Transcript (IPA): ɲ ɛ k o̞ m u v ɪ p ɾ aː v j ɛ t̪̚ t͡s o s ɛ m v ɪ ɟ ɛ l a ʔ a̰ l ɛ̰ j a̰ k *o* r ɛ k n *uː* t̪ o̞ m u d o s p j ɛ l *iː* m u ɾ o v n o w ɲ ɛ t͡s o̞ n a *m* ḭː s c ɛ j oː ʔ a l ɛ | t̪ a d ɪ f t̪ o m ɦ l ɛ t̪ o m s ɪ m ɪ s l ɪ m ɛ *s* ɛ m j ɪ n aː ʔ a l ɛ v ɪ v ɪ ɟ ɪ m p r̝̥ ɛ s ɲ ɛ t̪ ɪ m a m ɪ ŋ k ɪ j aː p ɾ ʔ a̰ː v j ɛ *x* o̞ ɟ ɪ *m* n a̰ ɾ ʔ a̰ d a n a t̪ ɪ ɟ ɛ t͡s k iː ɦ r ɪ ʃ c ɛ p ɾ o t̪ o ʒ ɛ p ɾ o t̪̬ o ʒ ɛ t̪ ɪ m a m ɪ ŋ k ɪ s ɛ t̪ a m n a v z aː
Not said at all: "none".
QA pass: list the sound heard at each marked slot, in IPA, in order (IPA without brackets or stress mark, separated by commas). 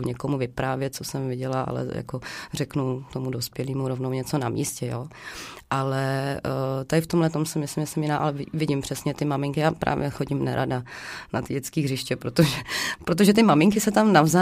o, u, iː, m, s, x, m